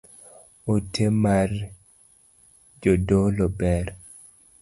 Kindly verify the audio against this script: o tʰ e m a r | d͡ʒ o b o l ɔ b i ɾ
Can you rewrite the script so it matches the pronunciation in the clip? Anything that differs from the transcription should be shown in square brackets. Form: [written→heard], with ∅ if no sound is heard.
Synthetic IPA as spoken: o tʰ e m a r | d͡ʒ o [b→d] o l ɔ b [i→ɛ] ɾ

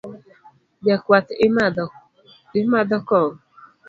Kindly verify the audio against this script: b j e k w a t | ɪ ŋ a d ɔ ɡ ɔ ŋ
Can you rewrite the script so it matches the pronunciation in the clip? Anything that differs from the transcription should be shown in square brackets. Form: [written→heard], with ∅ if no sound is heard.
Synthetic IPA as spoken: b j [e→a] k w a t | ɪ [ŋ→m] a d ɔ [ɡ→k] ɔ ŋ

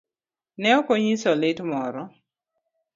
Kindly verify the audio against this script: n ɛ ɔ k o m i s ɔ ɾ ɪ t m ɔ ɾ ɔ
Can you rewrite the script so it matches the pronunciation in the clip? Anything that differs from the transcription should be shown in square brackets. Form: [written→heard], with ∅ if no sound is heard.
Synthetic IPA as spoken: n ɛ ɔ k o [m→ɲ] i s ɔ [ɾ→l] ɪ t m ɔ ɾ ɔ

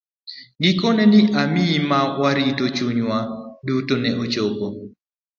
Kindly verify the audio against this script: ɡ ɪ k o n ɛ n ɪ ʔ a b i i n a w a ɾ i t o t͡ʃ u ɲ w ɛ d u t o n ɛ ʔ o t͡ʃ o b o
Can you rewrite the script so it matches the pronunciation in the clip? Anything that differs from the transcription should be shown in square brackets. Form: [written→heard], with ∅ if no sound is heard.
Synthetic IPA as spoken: ɡ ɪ k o n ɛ n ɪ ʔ a [b→m] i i [n→m] a w a ɾ i t o t͡ʃ u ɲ w [ɛ→a] d u t o n ɛ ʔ o t͡ʃ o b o

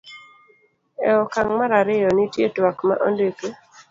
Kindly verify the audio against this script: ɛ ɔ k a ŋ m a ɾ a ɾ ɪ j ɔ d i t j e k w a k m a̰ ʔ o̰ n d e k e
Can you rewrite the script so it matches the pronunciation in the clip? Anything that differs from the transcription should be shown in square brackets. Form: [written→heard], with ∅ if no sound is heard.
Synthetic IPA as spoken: ɛ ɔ k a ŋ m a ɾ a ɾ ɪ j ɔ [d→n] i t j e [k→t] w a k m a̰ ʔ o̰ n d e k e

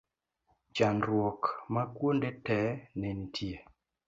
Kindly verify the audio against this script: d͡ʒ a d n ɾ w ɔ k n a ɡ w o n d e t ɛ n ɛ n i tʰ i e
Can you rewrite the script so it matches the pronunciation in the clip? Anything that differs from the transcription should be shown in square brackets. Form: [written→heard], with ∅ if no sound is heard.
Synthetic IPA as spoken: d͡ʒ a [d→∅] n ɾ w ɔ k [n→m] a [ɡ→k] w o n d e t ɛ n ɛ n i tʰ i e

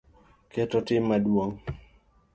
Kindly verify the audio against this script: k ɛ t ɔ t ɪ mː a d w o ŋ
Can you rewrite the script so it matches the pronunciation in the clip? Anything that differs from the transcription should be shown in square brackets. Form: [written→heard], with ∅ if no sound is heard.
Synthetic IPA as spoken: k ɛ t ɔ t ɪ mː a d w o ŋ

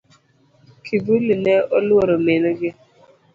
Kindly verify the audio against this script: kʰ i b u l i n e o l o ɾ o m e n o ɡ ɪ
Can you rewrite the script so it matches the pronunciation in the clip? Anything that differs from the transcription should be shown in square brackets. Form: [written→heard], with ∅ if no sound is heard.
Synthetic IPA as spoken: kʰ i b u l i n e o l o ɾ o m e n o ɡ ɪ

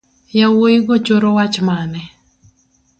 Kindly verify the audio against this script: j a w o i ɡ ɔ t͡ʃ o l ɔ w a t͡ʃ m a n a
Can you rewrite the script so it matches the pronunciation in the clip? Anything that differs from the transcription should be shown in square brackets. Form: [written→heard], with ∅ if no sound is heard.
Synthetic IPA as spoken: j a w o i ɡ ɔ t͡ʃ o [l→ɾ] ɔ w a t͡ʃ m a n [a→ɛ]

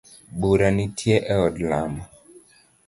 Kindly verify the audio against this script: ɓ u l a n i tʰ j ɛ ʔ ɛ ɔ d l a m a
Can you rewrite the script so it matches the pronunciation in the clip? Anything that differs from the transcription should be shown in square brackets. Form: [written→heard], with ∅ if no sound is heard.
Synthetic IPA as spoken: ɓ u [l→ɾ] a n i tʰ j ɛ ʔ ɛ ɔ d l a m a

